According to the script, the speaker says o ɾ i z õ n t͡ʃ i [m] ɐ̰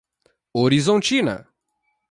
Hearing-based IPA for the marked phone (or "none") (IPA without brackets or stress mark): n